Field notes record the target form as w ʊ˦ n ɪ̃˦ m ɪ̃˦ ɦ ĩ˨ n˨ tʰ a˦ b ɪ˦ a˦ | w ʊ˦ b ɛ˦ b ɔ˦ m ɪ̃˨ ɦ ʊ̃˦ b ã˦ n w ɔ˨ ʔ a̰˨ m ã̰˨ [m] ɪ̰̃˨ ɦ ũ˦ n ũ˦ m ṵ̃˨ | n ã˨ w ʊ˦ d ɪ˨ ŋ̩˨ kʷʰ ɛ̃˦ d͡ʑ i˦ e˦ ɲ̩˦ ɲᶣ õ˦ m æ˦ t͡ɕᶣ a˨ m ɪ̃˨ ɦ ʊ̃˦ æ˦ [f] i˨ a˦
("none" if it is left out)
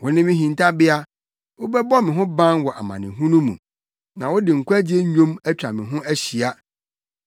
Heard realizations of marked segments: n, ɕ

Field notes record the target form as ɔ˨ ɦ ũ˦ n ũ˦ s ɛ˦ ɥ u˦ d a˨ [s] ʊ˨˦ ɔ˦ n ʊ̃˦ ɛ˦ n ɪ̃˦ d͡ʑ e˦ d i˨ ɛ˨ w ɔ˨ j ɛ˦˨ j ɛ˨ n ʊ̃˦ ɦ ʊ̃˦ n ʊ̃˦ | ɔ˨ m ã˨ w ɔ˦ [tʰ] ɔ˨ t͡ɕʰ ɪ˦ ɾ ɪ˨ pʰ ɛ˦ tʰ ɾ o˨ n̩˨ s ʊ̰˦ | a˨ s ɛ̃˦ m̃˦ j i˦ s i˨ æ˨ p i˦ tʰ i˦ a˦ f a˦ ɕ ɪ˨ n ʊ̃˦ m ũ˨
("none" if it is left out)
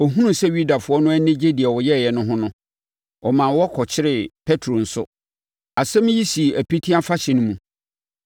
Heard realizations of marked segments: f, kʰ

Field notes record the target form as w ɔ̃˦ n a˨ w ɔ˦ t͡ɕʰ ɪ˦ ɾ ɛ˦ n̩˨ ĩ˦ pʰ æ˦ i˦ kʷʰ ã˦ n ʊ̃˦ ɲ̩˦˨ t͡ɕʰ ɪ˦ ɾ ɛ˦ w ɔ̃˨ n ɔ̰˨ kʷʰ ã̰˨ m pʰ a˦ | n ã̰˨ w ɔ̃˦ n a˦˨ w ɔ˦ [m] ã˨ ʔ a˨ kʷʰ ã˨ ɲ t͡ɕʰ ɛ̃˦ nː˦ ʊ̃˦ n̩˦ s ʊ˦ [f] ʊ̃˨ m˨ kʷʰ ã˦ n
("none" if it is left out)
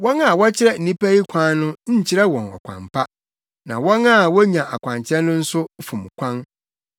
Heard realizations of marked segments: ɲ, f

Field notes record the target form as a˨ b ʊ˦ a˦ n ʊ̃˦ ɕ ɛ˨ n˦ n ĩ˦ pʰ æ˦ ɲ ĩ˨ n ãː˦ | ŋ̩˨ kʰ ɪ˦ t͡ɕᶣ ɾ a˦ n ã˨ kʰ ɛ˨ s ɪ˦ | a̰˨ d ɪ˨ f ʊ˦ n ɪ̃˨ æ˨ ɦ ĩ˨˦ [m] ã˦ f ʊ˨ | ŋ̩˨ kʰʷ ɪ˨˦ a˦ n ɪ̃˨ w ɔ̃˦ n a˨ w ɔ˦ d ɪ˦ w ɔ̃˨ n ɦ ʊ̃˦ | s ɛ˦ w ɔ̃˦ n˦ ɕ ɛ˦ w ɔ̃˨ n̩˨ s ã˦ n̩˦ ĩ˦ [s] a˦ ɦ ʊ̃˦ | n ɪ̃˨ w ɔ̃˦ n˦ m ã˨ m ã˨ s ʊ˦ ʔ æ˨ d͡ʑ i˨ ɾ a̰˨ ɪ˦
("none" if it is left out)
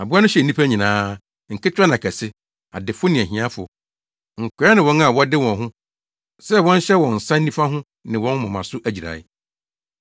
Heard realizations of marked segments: none, f

